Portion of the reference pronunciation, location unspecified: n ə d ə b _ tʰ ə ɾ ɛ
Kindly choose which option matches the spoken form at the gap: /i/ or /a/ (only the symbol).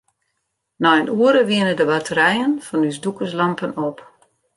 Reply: a